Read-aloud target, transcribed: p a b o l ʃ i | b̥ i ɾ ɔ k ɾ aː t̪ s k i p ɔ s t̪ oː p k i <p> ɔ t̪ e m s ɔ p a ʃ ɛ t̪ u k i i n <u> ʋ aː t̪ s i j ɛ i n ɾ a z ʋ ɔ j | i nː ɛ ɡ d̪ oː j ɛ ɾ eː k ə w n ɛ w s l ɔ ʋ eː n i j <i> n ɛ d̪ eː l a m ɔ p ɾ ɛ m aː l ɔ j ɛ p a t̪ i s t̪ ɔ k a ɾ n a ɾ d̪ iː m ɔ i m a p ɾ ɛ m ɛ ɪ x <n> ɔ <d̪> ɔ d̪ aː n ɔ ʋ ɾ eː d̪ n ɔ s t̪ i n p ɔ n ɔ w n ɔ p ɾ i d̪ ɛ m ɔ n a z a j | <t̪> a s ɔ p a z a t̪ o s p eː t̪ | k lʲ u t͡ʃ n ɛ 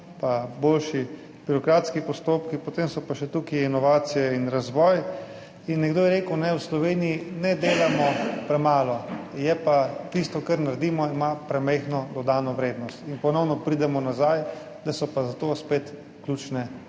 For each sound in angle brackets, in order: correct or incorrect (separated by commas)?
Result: correct, incorrect, correct, correct, correct, incorrect